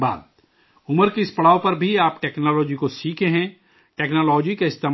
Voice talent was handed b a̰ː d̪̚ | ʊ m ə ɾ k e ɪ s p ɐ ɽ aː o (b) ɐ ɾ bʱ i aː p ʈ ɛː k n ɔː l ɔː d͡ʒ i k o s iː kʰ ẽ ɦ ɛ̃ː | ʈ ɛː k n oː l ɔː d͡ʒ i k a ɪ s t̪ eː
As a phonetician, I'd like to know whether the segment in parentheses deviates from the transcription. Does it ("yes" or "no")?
yes